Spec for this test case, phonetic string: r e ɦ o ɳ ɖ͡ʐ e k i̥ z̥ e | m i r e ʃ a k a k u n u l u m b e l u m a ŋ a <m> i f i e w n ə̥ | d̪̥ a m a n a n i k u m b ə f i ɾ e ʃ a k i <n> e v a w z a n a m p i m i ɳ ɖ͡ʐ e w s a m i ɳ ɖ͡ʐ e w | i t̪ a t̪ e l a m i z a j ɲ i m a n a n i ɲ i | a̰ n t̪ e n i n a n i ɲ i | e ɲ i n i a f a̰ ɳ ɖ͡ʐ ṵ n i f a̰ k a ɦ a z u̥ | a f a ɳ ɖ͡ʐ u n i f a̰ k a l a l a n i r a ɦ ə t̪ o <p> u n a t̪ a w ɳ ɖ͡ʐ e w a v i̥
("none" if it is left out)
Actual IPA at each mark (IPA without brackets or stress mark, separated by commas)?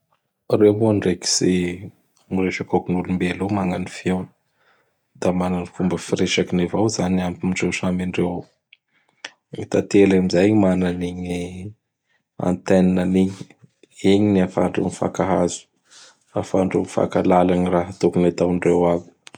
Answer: n, n, k